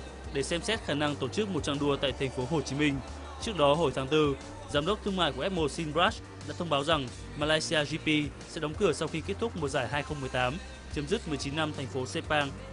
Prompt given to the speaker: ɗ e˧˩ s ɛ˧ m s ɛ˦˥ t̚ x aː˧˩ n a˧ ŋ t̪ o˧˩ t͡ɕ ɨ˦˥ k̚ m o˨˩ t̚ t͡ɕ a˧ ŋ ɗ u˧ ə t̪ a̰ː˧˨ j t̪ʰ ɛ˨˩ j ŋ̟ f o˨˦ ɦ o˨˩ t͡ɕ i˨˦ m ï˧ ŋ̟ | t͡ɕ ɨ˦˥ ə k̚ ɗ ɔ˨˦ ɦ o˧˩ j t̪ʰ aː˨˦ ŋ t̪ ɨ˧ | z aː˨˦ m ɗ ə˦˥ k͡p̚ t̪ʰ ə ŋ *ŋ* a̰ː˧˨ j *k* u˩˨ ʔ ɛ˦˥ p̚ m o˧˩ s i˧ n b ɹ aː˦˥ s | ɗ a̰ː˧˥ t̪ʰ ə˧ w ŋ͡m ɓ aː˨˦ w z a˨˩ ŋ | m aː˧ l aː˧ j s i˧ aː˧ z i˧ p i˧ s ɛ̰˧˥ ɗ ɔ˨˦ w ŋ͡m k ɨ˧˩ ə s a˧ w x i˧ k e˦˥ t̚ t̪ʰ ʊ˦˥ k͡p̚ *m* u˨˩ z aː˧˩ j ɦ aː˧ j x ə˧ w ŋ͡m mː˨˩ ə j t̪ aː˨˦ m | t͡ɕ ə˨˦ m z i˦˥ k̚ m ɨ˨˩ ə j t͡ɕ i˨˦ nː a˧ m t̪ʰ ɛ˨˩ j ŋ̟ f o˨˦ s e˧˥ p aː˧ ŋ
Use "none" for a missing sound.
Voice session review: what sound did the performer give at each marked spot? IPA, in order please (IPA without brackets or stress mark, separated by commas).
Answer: m, k, m